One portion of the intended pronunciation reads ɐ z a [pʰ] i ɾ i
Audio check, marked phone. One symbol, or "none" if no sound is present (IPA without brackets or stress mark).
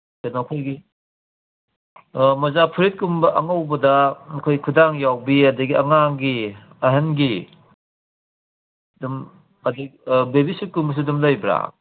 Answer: pʰ